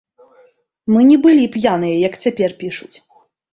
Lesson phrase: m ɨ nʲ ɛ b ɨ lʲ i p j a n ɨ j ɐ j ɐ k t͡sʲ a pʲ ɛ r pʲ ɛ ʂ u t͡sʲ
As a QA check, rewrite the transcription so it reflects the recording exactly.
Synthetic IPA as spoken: m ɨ nʲ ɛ b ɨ lʲ i p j a n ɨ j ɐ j ɐ k t͡sʲ a pʲ ɛ r pʲ i ʂ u t͡sʲ